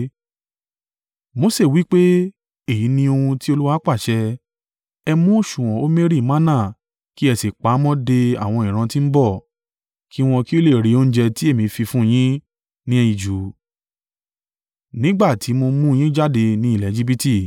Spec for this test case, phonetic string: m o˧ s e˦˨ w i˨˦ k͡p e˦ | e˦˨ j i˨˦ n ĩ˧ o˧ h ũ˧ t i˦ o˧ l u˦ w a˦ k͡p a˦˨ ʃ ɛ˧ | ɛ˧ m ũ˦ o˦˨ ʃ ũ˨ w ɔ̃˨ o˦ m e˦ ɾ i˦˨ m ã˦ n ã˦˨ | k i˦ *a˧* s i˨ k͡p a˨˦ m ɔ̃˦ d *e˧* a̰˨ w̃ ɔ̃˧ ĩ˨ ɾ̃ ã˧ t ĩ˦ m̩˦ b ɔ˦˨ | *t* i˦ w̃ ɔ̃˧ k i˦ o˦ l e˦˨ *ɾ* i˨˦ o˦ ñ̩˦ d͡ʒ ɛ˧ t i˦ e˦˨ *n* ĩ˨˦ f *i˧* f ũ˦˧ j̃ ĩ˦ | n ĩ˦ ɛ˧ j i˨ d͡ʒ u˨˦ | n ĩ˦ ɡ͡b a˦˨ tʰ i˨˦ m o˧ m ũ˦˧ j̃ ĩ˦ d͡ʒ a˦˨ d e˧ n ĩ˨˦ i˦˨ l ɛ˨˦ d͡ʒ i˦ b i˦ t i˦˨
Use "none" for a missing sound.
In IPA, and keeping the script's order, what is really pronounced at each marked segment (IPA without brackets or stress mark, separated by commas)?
ɛ˧, e˧, k, ɾ, m, i˧